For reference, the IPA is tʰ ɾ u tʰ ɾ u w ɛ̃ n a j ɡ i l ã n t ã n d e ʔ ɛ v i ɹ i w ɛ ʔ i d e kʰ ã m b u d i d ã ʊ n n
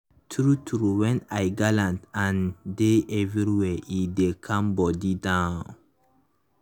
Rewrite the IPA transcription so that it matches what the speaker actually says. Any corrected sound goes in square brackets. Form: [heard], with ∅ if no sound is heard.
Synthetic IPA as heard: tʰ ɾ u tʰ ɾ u w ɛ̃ n a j ɡ [a] l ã n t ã n d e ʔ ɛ v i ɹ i w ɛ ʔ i d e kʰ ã m b [ɔ] d i d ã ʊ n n